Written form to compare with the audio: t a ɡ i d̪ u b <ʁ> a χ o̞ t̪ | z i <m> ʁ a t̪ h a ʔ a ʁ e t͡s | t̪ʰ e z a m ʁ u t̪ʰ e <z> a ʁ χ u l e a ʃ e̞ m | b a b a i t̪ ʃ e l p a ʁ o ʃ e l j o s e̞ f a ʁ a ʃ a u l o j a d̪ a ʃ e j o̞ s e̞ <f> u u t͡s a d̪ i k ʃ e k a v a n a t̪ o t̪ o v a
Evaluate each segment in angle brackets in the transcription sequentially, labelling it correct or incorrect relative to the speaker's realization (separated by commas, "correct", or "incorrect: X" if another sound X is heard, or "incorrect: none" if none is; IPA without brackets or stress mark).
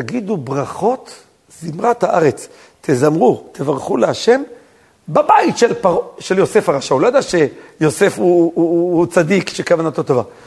correct, correct, incorrect: v, correct